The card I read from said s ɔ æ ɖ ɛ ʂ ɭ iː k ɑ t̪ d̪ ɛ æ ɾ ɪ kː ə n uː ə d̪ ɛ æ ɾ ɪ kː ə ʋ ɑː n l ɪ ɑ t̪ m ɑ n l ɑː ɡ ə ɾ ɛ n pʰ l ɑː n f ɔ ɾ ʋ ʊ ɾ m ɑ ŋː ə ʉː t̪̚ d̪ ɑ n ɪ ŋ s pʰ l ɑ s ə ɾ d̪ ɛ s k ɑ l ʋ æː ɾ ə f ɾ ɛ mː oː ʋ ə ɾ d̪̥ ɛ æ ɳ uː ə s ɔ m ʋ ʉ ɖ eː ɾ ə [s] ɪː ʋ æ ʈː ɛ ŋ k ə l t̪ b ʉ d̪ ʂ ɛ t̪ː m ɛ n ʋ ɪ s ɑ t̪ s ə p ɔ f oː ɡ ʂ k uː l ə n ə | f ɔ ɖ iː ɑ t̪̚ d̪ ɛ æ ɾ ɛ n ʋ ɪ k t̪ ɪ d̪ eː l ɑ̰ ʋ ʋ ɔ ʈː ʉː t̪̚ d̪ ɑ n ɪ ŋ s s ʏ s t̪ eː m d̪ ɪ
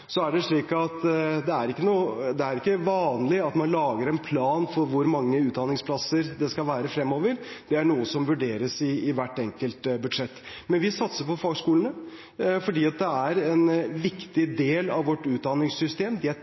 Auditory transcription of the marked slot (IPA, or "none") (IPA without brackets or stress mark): s